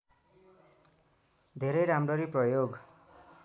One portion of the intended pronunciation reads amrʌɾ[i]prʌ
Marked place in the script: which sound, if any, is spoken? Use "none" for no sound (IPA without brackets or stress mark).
i